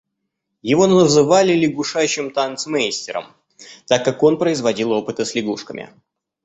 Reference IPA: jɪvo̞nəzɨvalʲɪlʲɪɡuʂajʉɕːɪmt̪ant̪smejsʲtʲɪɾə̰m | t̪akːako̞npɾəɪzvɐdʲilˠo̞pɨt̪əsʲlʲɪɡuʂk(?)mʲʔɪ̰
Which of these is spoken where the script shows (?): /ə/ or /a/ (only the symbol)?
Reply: ə